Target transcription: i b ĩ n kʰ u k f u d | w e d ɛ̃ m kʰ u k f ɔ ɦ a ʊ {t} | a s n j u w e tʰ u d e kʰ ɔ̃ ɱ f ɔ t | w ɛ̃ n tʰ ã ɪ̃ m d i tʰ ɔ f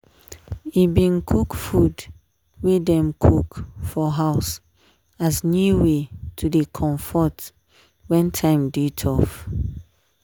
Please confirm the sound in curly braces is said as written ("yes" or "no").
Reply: no